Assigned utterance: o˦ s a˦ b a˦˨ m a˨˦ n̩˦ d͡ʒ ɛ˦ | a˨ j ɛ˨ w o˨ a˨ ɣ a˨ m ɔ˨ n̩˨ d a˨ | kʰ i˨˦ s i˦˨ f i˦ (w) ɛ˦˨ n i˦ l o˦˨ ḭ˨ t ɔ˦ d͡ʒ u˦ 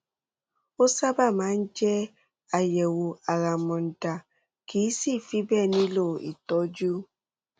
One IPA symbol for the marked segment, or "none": b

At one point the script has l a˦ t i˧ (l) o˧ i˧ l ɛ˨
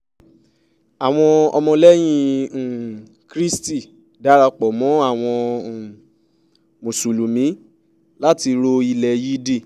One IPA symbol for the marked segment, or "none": ɾ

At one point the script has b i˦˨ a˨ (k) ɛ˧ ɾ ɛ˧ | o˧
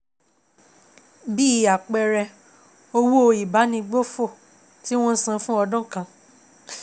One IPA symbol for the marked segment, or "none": k͡p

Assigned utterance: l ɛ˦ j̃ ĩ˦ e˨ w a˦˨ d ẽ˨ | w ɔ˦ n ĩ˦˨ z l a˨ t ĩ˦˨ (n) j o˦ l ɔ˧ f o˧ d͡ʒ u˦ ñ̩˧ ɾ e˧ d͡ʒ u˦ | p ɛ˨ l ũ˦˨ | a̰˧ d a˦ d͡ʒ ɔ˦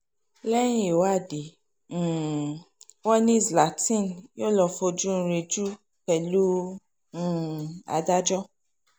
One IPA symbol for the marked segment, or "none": n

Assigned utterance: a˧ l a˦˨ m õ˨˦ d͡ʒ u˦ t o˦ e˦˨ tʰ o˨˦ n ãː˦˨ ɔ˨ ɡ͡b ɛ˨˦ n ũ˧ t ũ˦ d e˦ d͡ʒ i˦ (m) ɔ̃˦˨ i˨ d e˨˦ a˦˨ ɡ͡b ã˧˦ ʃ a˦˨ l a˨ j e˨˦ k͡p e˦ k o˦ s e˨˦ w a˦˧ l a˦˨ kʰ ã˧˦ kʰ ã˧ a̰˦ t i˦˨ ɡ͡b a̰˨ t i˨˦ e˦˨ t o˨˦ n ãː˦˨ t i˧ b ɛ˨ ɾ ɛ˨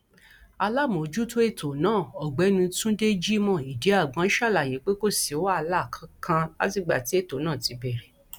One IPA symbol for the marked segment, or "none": m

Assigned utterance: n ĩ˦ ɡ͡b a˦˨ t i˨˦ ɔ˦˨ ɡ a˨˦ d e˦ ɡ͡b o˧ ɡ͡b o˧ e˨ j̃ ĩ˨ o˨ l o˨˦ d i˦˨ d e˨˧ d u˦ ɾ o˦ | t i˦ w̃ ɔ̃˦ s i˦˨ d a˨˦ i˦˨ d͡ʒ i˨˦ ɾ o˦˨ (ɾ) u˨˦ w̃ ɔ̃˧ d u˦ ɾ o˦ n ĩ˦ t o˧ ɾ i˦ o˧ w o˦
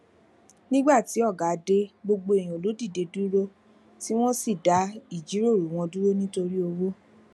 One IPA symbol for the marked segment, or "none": ɾ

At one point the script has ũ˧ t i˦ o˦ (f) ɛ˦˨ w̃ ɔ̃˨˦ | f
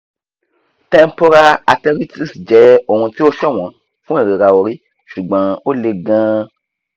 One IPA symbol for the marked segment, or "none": ʃ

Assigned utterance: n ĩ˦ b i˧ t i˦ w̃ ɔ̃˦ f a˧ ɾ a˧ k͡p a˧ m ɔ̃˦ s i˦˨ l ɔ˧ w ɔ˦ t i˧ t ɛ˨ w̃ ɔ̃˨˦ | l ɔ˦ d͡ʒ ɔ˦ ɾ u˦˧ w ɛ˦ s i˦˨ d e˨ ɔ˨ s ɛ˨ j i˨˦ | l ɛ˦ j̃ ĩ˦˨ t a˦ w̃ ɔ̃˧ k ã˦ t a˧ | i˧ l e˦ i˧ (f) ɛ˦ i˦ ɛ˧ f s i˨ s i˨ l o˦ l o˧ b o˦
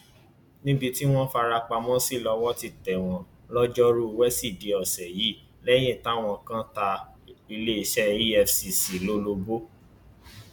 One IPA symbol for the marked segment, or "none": ʃ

